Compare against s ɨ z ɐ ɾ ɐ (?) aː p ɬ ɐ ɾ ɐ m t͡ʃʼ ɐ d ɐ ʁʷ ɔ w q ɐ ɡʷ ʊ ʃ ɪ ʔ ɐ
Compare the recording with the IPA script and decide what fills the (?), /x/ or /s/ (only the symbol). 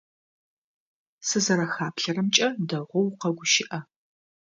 x